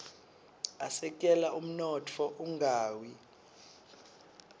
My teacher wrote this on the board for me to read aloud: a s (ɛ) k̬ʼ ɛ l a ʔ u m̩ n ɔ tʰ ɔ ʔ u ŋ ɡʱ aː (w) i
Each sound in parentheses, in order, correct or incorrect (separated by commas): correct, correct